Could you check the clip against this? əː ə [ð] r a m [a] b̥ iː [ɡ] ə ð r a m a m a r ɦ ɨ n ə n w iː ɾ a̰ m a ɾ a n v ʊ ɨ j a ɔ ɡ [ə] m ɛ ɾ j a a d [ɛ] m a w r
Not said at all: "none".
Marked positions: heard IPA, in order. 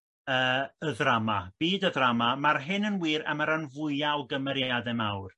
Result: ð, a, d, ə, ɛ

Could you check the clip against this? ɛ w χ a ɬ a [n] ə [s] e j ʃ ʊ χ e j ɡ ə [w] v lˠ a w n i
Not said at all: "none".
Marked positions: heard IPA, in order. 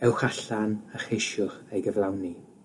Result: n, χ, none

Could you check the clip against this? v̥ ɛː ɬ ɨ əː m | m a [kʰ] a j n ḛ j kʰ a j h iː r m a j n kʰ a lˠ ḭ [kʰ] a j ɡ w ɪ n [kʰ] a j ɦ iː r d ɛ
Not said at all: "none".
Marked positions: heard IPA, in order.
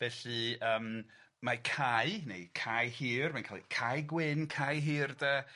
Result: kʰ, kʰ, kʰ

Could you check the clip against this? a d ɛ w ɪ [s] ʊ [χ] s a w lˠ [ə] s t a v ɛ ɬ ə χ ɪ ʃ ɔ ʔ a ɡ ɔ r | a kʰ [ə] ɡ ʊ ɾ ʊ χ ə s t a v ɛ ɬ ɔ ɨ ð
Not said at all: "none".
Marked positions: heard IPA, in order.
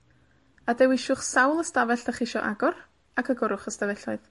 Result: ʃ, χ, ə, ə

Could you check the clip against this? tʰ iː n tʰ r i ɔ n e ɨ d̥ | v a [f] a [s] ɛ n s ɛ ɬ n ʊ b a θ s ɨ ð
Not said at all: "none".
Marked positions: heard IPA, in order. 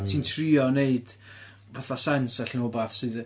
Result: θ, s

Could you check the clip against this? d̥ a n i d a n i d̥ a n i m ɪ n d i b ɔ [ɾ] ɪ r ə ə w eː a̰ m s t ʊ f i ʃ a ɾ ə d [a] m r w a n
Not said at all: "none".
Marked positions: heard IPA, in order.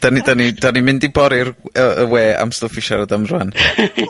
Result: ɾ, a

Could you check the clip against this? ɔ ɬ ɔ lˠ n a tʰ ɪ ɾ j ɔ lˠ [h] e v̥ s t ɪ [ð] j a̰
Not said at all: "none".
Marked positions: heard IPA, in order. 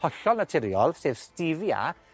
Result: s, v

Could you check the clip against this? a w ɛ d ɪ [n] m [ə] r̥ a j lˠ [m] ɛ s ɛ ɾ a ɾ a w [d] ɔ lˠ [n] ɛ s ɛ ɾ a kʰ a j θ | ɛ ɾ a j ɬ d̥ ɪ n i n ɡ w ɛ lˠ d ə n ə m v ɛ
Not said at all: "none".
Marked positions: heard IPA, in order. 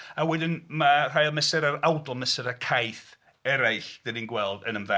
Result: n, a, m, d, m

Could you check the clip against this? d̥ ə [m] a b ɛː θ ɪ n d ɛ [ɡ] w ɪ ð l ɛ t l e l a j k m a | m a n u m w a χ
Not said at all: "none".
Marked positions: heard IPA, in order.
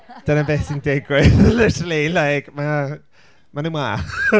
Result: n, ɡ

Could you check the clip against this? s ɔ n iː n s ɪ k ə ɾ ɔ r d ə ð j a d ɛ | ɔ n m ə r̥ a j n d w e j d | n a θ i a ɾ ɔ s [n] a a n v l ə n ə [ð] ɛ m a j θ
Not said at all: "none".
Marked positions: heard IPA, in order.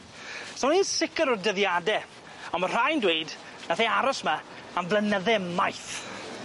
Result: m, ð

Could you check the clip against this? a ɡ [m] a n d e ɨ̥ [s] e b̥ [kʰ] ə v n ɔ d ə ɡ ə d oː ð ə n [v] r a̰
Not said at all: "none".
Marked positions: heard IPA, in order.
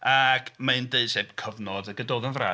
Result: m, s, kʰ, v

